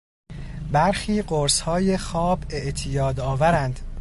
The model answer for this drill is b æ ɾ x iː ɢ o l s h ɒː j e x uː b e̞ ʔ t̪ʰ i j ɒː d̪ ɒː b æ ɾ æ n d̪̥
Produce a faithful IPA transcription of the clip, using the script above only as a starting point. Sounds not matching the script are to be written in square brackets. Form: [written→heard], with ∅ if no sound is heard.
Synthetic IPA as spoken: b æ ɾ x iː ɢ o [l→ɾ] s h ɒː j e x [uː→ɒː] b e̞ ʔ t̪ʰ i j ɒː d̪ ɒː [b→v] æ ɾ æ n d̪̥